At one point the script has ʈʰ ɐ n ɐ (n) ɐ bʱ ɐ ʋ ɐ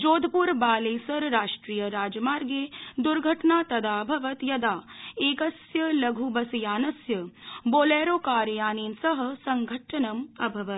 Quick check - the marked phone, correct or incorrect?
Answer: incorrect